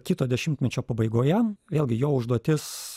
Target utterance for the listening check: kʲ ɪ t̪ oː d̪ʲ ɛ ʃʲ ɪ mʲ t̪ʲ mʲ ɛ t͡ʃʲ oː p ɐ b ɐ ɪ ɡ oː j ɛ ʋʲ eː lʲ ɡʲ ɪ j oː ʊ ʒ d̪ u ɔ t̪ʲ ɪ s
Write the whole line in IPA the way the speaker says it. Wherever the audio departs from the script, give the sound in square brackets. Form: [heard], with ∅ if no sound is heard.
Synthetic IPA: kʲ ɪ t̪ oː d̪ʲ ɛ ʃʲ ɪ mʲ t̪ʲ mʲ ɛ t͡ʃʲ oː p ɐ b ɐ ɪ ɡ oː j ɛ ʋʲ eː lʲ ɡʲ ɪ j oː ʊ ʒ d̪ u ɔ t̪ʲ ɪ s

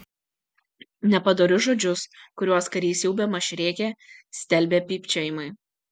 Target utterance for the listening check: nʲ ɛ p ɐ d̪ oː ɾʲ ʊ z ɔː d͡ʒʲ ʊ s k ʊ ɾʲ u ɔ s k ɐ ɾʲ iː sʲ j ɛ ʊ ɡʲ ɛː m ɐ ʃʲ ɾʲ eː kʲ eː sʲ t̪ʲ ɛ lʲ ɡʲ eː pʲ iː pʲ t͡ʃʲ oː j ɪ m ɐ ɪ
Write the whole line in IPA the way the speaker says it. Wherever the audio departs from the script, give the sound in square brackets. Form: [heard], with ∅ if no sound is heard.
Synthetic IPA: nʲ ɛ p ɐ d̪ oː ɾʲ ʊ [ʒ] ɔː d͡ʒʲ ʊ s k ʊ ɾʲ u ɔ s k ɐ ɾʲ iː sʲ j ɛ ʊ [bʲ] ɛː m ɐ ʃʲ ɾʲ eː kʲ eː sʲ t̪ʲ ɛ lʲ [bʲ] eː pʲ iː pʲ t͡ʃʲ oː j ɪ m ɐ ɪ

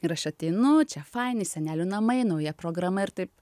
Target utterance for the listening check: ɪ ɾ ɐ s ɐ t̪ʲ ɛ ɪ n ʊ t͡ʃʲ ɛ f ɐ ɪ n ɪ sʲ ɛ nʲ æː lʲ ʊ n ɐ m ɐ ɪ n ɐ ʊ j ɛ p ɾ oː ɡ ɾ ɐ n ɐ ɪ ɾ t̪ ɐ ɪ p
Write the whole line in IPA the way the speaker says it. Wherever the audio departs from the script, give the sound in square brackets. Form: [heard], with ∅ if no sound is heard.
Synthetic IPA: ɪ ɾ ɐ [ʃ] ɐ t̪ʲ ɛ ɪ n ʊ t͡ʃʲ ɛ f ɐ ɪ n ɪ sʲ ɛ nʲ æː lʲ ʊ n ɐ m ɐ ɪ n ɐ ʊ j ɛ p ɾ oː ɡ ɾ ɐ [m] ɐ ɪ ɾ t̪ ɐ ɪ p

